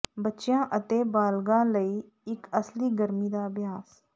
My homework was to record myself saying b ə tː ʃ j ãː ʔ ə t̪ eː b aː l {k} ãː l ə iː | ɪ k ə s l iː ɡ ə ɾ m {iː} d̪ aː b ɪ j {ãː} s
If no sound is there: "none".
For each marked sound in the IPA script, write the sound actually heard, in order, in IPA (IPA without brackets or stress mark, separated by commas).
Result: ɡ, iː, aː